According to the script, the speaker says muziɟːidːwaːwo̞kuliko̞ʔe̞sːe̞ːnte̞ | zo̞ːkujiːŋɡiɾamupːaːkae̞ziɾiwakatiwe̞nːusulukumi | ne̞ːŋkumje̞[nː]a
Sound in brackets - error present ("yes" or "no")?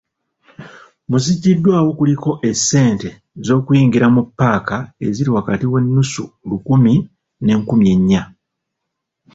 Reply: yes